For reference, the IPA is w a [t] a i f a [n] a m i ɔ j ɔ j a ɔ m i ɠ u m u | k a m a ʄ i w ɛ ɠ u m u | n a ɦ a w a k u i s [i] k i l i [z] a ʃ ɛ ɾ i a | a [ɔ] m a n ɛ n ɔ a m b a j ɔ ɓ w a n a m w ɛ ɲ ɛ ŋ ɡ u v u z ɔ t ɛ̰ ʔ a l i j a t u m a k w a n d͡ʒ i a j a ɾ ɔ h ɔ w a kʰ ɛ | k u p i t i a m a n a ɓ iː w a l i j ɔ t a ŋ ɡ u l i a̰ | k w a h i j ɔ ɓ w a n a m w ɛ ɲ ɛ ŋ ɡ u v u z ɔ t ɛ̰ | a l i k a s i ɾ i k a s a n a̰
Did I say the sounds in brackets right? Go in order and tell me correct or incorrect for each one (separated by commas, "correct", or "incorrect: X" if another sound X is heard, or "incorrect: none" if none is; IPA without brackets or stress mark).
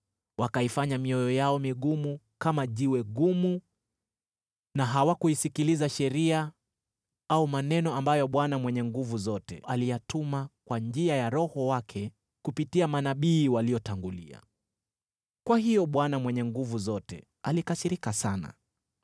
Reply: incorrect: k, incorrect: ɲ, correct, correct, incorrect: u